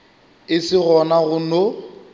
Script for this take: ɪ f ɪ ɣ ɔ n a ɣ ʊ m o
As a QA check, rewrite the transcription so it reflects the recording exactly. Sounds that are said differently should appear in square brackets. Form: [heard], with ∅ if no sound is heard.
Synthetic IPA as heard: ɪ [s] ɪ ɣ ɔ n a ɣ ʊ [n] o